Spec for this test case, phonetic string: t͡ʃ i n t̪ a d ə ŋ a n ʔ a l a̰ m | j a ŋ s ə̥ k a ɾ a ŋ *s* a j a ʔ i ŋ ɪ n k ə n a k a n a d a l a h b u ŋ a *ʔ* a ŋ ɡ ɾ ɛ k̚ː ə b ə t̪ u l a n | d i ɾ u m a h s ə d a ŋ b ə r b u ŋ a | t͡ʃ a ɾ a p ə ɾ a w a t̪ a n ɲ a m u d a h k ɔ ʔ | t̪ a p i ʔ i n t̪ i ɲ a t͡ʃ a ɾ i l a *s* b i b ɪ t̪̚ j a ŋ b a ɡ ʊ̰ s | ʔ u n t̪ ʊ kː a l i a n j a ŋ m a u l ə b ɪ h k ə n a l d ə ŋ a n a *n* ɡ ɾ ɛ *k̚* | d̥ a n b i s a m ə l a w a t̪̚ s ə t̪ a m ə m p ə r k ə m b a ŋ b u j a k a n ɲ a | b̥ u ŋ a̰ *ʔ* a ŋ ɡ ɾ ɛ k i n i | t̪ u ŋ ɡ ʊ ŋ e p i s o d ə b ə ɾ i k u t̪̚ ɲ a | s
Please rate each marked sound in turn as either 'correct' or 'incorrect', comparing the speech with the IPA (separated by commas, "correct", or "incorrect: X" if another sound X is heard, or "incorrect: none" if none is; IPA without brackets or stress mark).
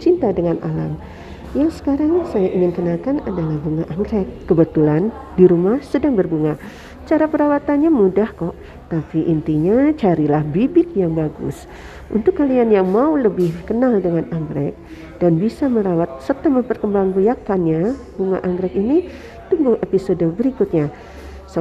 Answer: correct, correct, incorrect: h, incorrect: ŋ, correct, correct